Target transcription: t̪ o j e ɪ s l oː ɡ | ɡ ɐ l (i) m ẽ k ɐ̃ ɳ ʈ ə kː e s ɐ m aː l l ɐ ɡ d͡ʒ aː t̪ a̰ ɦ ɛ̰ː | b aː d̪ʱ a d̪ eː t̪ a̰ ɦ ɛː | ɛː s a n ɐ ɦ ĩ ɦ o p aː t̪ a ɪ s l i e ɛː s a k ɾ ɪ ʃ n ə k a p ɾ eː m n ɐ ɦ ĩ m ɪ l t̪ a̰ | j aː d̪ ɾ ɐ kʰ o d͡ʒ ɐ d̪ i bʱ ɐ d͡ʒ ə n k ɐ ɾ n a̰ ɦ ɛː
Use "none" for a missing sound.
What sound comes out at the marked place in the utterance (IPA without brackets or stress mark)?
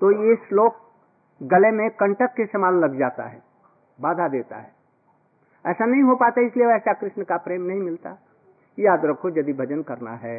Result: e